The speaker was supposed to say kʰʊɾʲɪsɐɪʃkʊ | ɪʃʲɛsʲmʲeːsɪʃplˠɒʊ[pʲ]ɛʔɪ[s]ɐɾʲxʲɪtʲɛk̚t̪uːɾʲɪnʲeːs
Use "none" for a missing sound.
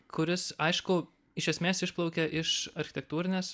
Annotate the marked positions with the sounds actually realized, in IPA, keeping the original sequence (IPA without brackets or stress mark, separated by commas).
kʲ, ʃ